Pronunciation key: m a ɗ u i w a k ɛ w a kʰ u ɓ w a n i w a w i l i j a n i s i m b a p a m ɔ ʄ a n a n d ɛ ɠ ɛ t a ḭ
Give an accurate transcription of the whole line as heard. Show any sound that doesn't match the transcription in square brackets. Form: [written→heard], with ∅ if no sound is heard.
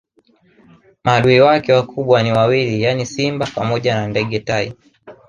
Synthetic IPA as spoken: m a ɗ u i w a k ɛ w a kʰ u ɓ w a n i w a w i l i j a n i s i m b a p a m ɔ ʄ a n a n d ɛ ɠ ɛ t a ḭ